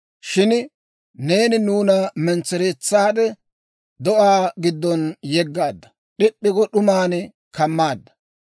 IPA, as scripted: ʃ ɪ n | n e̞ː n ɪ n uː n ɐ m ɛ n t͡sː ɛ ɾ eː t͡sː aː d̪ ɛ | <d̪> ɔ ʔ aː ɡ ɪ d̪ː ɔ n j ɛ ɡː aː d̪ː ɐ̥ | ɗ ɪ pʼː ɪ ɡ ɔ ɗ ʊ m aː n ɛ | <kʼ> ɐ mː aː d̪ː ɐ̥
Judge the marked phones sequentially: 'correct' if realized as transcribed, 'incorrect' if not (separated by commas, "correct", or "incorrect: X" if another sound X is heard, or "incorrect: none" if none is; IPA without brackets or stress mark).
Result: correct, incorrect: k